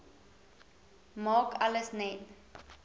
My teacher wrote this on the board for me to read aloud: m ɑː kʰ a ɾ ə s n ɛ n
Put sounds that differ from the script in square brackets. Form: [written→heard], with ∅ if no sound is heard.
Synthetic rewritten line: m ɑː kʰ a [ɾ→l] ə s n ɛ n